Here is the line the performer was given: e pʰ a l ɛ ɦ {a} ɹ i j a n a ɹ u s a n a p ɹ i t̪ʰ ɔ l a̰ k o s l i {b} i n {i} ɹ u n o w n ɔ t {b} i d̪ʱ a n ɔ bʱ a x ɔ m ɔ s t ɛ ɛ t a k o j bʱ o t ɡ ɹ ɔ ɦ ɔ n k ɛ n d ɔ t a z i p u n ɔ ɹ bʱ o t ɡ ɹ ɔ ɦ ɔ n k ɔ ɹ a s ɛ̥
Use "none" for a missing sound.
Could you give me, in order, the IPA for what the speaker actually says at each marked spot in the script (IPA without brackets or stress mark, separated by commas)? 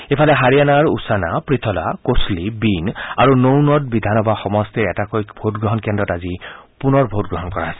a, b, a, b